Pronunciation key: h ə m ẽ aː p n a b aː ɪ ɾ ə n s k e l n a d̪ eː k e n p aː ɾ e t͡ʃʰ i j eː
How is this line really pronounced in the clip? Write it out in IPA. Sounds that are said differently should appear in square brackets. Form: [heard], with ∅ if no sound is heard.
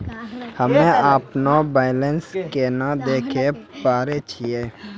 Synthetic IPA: h ə m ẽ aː p n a b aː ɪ [l] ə n s k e [∅] n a d̪ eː [kʰ] e [∅] p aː ɾ e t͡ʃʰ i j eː